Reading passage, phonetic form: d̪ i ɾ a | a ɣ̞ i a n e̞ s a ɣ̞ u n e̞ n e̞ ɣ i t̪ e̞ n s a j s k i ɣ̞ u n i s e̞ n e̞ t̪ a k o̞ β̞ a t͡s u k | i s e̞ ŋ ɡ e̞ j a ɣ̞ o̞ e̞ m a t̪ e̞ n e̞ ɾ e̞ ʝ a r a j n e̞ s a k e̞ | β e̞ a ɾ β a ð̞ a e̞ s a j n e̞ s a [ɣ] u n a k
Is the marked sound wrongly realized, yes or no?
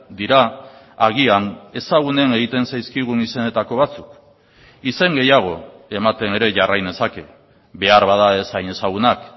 no